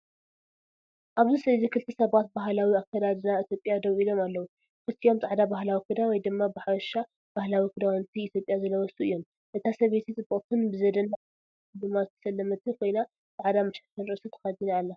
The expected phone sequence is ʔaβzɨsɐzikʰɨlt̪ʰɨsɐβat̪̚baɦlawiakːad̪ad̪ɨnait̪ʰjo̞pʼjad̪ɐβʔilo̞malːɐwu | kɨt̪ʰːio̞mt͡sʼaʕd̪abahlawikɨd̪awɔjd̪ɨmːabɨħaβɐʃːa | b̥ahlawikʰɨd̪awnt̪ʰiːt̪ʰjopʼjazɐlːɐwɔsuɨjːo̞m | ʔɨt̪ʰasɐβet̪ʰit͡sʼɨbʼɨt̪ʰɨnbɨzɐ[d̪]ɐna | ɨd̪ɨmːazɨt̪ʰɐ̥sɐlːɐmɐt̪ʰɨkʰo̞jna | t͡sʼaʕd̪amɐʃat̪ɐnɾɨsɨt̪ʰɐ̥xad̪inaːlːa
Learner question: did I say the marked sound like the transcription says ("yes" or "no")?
yes